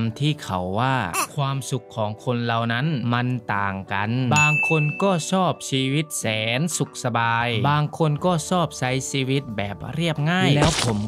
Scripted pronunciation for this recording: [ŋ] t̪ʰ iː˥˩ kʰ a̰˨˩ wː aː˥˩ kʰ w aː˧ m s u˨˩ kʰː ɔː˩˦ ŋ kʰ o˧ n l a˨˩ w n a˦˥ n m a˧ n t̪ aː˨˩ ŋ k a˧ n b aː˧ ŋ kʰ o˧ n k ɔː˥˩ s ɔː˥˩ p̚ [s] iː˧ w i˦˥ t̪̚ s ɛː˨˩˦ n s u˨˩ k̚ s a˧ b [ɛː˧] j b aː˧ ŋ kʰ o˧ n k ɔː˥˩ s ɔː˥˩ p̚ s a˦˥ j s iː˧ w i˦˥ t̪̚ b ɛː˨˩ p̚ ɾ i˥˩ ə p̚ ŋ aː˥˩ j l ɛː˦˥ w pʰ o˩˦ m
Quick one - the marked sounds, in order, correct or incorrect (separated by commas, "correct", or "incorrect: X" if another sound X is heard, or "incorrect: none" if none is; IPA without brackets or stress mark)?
incorrect: m, correct, incorrect: aː˧